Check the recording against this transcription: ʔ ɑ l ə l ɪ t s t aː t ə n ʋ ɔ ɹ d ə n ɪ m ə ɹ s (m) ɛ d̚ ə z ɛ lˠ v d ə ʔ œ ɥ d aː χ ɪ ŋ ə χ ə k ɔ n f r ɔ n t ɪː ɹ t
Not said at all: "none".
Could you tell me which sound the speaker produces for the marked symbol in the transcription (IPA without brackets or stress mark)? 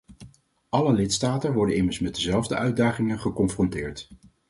m